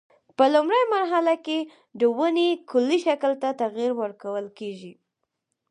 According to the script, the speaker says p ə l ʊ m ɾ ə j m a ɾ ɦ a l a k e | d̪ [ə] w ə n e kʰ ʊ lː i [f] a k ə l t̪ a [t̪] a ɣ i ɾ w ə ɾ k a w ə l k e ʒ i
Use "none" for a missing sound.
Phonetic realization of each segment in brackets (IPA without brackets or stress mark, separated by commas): ə, ʃ, t̪